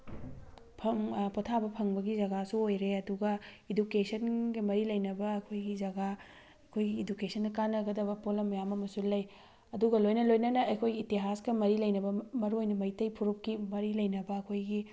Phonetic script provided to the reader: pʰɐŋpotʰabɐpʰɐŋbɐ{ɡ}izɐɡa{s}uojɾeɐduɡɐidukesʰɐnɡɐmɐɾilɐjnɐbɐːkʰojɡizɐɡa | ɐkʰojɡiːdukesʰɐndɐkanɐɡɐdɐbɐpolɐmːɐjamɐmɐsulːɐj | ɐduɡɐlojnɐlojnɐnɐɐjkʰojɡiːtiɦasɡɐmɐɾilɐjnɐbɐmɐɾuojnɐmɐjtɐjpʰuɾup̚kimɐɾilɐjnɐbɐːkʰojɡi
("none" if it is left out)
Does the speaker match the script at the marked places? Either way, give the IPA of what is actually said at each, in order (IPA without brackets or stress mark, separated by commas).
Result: ɡ, s